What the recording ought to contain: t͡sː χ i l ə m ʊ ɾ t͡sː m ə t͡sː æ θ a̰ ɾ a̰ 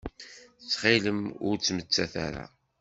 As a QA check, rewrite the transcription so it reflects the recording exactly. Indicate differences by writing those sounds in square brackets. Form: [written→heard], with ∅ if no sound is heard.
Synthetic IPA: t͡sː χ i l ə m ʊ ɾ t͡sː m ə t͡sː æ θ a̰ ɾ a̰